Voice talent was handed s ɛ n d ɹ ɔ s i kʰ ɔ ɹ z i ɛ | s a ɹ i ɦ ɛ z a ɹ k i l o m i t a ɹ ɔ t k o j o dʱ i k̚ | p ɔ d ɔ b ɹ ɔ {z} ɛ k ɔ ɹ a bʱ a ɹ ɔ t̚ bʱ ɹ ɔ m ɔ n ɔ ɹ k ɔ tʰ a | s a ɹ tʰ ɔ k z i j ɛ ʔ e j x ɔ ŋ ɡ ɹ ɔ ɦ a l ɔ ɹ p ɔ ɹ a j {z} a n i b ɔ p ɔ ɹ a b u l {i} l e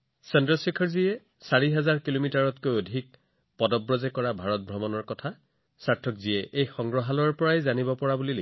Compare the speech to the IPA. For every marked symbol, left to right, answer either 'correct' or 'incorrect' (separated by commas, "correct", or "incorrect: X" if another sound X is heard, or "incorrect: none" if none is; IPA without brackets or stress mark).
correct, correct, correct